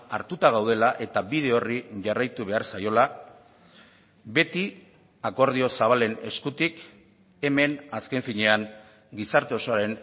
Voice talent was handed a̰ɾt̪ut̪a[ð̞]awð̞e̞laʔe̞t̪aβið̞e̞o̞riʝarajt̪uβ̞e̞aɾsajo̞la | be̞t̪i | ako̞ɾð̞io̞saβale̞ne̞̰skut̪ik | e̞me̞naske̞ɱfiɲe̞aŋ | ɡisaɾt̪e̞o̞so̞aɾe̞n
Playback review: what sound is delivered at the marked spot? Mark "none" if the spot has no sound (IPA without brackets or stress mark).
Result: ɣ̞